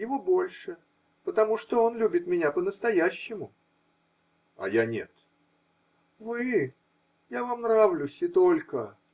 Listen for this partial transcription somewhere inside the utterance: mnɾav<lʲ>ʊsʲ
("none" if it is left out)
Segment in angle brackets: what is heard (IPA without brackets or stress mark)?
lʲ